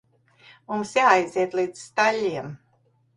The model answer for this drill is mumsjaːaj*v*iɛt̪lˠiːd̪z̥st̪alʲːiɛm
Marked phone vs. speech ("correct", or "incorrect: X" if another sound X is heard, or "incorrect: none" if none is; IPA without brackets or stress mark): incorrect: z